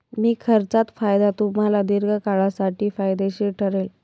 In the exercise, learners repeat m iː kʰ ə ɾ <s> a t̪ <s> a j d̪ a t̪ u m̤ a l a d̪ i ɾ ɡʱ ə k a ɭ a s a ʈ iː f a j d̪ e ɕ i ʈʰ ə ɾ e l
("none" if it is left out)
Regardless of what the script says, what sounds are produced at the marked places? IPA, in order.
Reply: t͡s, f

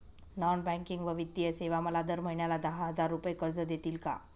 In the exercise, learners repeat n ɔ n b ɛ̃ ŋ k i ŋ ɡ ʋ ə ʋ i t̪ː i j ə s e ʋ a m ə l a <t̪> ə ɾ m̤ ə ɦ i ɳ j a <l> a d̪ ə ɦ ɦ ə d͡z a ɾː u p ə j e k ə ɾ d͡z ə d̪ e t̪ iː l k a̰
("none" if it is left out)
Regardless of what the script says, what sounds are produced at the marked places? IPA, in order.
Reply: d̪, l

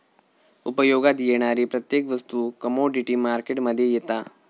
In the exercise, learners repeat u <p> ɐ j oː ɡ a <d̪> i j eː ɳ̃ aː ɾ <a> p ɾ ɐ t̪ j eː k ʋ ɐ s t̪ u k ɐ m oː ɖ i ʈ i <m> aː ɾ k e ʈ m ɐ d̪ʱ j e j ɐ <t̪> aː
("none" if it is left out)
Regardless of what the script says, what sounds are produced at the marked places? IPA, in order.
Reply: p, d̪, i, m, t̪

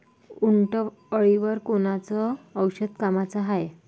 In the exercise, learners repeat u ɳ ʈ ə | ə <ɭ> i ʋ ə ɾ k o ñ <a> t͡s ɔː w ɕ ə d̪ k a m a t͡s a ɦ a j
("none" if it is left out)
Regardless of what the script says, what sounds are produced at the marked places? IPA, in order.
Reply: ɭ, a

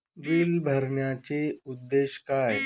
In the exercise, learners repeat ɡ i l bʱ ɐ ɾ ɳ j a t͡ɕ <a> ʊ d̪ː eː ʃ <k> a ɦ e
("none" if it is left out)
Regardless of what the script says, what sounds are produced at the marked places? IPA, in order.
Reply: e, k

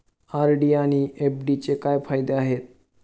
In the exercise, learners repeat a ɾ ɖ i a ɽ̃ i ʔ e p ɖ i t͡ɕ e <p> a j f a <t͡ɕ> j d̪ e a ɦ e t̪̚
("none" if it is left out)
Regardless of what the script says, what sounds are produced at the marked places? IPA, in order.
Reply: k, none

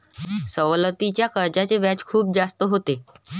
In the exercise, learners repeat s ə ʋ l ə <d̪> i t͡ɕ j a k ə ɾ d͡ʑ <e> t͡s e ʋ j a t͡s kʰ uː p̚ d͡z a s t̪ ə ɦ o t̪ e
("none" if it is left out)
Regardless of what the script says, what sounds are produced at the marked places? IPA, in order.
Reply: t̪, a

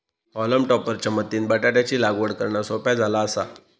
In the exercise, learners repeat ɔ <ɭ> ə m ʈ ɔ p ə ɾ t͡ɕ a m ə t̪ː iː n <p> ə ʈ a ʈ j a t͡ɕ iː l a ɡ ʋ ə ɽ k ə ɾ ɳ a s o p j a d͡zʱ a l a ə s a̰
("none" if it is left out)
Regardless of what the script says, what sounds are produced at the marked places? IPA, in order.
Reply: l, b

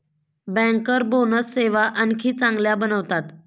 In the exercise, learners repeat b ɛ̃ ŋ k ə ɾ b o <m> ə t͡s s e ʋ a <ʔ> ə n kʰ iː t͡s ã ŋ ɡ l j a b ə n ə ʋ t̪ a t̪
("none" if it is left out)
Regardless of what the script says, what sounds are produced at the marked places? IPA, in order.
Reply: n, ʔ

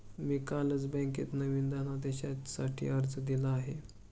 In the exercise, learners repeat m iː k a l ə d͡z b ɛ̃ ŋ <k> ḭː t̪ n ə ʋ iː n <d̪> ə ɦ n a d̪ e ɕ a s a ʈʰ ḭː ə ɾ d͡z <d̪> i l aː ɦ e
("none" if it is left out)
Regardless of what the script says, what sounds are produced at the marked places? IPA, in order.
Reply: k, d̪, d̪

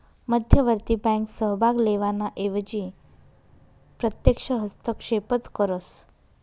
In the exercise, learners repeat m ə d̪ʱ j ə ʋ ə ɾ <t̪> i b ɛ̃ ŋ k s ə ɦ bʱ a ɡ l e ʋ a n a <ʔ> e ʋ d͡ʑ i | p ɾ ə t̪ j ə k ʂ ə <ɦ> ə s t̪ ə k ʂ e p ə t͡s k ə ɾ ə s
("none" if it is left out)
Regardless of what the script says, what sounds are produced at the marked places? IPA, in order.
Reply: t̪, ʔ, ɦ

